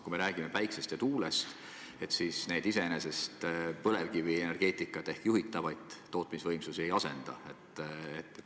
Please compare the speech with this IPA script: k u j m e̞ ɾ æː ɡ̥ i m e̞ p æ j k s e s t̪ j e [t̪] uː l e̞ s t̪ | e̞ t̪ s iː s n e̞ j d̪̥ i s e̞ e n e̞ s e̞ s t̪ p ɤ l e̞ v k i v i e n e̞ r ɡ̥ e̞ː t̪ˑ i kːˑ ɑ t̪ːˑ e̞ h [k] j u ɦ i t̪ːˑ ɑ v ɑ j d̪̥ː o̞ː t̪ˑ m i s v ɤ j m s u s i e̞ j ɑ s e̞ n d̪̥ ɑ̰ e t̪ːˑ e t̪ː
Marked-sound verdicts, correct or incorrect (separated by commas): correct, correct